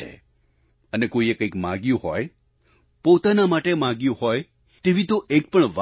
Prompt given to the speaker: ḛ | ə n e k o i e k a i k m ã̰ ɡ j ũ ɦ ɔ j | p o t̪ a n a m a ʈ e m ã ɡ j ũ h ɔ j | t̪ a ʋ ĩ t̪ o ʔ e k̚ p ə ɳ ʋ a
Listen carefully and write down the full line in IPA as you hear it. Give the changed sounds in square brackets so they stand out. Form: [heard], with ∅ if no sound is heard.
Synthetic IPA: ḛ | ə n e k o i e k [ə] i k m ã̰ ɡ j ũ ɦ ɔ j | p o t̪ a n a m a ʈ e m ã ɡ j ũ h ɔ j | t̪ [e] ʋ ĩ t̪ o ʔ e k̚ p ə ɳ ʋ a